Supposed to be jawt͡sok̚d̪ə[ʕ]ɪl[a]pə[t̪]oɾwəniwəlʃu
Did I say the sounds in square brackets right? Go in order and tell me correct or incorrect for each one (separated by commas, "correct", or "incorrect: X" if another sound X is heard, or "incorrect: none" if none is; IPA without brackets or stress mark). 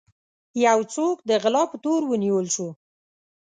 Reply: incorrect: ɣ, incorrect: ɑ, correct